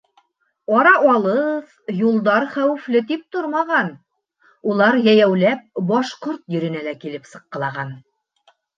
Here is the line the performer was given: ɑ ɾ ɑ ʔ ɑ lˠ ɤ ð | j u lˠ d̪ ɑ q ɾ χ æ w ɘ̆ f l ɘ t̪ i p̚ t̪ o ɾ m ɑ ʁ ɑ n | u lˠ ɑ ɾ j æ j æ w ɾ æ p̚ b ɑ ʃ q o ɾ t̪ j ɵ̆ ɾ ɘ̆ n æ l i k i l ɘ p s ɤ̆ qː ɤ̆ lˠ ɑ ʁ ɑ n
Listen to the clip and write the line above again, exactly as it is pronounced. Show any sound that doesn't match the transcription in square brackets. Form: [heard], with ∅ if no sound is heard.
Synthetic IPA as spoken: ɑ ɾ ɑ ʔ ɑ lˠ ɤ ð | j u lˠ d̪ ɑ [∅] ɾ χ æ w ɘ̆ f l ɘ t̪ i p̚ t̪ o ɾ m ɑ ʁ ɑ n | u lˠ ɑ ɾ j æ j æ w [l] æ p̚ b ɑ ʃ q o ɾ t̪ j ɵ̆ ɾ ɘ̆ n æ l [æ] k i l ɘ p s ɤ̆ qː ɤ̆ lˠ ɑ ʁ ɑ n